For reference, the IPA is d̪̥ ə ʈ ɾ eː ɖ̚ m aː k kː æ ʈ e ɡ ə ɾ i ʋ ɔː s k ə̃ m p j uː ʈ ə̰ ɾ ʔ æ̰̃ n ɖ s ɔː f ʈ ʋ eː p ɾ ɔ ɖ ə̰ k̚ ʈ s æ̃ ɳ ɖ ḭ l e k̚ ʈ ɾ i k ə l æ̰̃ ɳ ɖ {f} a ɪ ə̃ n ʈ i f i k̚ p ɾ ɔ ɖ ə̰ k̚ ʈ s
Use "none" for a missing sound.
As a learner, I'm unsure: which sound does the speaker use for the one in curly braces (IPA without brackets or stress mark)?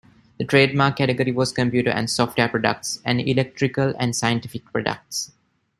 s